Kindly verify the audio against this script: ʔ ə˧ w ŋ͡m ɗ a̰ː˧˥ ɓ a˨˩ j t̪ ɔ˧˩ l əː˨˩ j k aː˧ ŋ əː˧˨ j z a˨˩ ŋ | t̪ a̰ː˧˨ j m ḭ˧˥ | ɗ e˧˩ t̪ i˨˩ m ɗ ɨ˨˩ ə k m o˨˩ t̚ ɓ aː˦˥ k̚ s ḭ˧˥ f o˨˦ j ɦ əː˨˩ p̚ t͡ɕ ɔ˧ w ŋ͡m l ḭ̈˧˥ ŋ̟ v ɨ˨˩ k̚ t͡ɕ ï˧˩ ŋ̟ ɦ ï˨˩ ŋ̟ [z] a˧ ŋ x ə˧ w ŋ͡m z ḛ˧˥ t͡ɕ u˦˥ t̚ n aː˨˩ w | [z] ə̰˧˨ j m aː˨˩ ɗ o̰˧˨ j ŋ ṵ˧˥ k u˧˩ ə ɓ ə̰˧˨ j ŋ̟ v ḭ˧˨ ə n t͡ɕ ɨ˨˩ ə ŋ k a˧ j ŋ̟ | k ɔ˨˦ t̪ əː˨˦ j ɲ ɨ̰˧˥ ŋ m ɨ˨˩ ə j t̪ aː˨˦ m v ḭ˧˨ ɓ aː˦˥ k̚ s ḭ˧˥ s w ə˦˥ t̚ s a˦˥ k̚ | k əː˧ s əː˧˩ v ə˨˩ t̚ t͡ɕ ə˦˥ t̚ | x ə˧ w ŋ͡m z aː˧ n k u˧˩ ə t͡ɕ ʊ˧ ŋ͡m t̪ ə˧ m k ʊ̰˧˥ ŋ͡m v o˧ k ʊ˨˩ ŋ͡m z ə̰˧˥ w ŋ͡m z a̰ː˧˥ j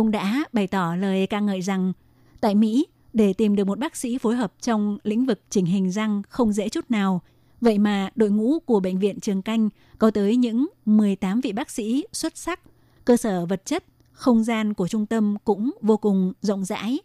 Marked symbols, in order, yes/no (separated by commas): yes, no